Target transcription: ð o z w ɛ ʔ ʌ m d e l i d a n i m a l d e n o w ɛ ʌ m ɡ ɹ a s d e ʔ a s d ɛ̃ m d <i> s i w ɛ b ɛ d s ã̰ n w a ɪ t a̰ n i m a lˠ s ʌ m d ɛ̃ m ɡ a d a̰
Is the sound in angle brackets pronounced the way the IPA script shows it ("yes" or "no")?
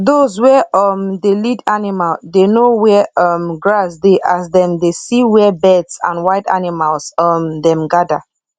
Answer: no